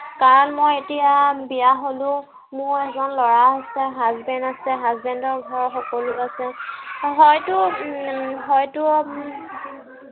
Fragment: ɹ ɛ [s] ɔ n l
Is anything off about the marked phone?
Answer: yes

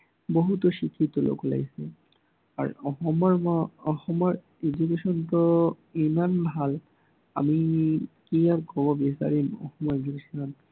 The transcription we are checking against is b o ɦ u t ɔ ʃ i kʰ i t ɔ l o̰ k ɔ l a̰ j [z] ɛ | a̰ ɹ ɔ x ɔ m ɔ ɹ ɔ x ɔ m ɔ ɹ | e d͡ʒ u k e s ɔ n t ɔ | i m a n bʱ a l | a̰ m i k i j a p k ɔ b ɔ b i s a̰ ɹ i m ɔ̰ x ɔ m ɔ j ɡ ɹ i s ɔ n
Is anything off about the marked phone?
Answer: yes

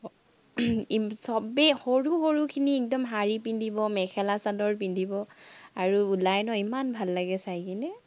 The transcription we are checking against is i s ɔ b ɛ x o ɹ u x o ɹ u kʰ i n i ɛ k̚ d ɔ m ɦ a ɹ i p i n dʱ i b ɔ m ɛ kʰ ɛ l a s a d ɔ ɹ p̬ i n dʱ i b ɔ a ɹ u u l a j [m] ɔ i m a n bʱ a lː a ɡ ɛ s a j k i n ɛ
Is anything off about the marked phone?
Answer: yes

